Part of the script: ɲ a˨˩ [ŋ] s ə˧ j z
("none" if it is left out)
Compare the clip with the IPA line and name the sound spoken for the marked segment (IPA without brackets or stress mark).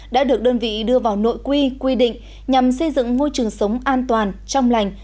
m